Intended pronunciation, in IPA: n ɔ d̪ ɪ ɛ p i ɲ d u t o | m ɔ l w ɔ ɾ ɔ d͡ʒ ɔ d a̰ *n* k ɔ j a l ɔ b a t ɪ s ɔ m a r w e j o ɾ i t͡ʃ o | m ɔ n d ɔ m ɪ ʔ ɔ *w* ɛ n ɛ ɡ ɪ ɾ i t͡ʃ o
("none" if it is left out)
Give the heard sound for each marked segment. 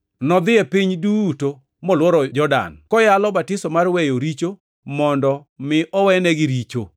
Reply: n, w

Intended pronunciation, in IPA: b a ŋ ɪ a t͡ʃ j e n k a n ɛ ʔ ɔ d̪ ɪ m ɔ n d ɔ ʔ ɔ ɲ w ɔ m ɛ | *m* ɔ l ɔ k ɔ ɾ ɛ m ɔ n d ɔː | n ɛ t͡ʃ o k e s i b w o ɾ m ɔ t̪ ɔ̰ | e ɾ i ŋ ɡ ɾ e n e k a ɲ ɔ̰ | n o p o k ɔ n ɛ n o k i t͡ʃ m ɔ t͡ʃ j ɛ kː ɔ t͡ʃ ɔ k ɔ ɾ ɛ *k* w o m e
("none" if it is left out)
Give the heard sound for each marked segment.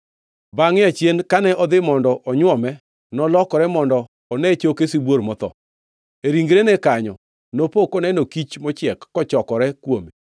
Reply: n, k

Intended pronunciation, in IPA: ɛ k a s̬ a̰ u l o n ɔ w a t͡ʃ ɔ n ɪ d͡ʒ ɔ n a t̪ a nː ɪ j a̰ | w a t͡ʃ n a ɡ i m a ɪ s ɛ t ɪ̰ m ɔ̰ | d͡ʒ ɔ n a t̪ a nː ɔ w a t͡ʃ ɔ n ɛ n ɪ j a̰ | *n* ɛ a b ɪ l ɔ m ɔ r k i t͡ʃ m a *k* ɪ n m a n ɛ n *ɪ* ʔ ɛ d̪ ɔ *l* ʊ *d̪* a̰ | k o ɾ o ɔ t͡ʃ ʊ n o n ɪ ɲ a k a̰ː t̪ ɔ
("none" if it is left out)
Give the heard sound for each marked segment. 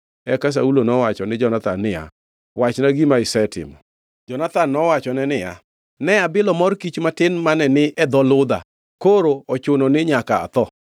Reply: n, t, ɪ, l, d̪

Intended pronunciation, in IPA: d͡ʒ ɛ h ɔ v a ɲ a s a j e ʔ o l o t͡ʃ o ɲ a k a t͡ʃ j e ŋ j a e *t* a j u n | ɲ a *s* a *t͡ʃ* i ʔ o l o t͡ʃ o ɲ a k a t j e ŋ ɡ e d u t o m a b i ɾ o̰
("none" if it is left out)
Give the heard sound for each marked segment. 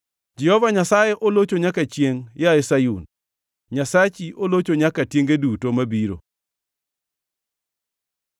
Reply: s, s, t͡ʃ

